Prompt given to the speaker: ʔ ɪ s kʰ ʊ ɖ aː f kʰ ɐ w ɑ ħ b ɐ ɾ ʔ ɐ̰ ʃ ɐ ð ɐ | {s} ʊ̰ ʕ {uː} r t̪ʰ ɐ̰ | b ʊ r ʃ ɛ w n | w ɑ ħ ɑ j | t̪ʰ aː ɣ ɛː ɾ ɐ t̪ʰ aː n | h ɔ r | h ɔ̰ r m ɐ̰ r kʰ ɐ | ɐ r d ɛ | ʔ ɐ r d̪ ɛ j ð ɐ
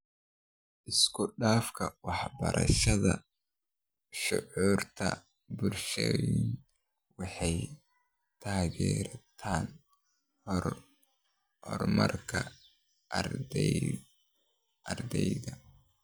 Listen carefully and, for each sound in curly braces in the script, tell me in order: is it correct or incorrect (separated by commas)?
incorrect, correct